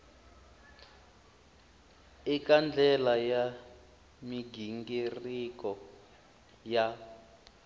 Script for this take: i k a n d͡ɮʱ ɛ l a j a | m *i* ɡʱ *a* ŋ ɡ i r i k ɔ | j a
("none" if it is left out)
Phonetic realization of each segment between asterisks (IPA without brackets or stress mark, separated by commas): i, i